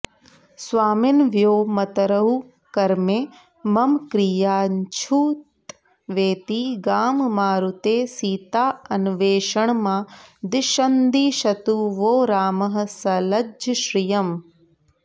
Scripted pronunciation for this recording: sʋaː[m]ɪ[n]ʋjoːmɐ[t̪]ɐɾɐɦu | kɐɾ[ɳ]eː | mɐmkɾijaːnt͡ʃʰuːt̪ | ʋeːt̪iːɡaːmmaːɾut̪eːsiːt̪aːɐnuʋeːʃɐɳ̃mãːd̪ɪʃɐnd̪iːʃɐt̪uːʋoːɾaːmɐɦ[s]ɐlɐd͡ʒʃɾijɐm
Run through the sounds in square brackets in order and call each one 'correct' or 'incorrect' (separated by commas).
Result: correct, correct, correct, incorrect, correct